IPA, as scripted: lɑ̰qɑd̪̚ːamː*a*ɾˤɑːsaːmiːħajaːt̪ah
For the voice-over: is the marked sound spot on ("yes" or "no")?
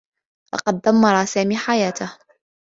no